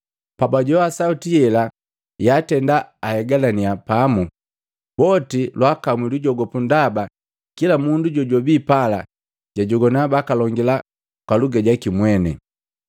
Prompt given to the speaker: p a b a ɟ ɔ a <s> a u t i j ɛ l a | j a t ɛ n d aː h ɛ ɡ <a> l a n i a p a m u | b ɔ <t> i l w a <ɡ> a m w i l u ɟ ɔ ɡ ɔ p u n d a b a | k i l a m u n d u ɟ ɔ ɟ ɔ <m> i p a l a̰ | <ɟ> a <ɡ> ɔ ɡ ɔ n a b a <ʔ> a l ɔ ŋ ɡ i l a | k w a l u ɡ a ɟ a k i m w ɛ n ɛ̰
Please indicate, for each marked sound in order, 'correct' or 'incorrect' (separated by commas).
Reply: correct, correct, correct, incorrect, incorrect, correct, incorrect, incorrect